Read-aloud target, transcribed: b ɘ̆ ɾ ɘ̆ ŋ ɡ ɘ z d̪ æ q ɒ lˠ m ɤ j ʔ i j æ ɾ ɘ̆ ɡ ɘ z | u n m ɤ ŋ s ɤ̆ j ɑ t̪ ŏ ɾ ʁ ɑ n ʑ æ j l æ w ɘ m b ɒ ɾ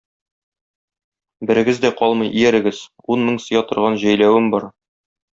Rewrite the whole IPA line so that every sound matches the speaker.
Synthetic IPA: b ɘ̆ ɾ ɘ̆ ɡ ɘ z d̪ æ q ɒ lˠ m ɤ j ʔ i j æ ɾ ɘ̆ ɡ ɘ z | u n m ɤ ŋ s ɤ̆ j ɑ t̪ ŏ ɾ ʁ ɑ n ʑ æ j l æ w ɘ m b ɒ ɾ

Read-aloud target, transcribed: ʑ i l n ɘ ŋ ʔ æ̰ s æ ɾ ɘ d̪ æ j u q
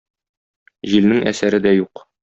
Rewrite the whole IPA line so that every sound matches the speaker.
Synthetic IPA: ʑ i l n ɘ ŋ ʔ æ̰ s æ ɾ ɘ d̪ æ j u q

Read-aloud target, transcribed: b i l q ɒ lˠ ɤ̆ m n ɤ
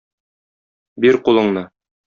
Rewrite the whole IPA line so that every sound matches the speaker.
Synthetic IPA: b i ɾ q u lˠ ɤ̆ ɴ n ɤ

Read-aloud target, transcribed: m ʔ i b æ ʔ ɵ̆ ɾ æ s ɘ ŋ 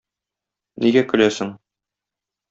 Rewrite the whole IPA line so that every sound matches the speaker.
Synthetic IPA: n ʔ i ɡ æ k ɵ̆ l æ s ɘ ŋ

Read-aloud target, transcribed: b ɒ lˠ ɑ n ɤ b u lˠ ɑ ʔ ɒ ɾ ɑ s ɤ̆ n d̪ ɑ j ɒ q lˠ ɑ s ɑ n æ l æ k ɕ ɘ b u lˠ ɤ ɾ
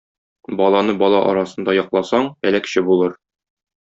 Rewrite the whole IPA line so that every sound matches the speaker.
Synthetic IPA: b ɒ lˠ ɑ n ɤ b ɒ lˠ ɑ ʔ ɒ ɾ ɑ s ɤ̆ n d̪ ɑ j ɒ q lˠ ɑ s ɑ ɴ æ l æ k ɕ ɘ b u lˠ ɤ ɾ

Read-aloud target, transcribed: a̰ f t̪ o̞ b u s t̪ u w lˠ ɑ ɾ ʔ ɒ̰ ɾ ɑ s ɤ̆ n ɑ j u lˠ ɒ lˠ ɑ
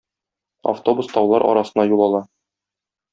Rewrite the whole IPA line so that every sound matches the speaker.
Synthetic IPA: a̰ f t̪ o̞ b u s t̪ ɒ w lˠ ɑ ɾ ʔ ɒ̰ ɾ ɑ s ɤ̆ n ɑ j u lˠ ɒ lˠ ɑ

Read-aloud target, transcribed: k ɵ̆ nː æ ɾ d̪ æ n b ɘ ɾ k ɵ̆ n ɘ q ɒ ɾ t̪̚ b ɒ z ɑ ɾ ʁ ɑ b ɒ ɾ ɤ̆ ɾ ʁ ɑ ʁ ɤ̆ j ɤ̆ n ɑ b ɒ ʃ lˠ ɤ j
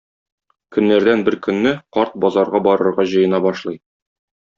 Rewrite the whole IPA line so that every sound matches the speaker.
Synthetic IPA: k ɵ̆ nː æ ɾ d̪ æ n b ɘ ɾ k ɵ̆ nː ɘ q ɒ ɾ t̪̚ b ɒ z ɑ ɾ ʁ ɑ b ɒ ɾ ɤ̆ ɾ ʁ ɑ ʑ ɤ̆ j ɤ̆ n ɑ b ɒ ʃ lˠ ɤ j

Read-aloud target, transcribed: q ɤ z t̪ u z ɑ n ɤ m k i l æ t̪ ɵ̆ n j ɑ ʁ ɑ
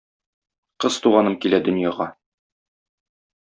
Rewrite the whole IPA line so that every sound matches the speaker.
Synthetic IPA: q ɤ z t̪ u ʁ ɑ n ɤ m k i l æ d̪ ɵ̆ n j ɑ ʁ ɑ

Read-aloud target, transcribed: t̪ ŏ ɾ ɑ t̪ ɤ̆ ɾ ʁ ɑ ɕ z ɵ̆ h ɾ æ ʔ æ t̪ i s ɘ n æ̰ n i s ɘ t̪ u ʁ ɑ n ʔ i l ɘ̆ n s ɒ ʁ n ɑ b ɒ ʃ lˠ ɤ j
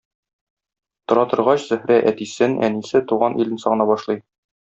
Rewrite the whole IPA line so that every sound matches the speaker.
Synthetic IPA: t̪ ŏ ɾ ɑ t̪ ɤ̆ ɾ ʁ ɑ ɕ z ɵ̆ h ɾ æ ʔ æ t̪ i s ɘ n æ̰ n i s ɘ t̪ u ʁ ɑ n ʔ i l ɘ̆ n s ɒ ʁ n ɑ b ɒ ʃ lˠ ɤ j

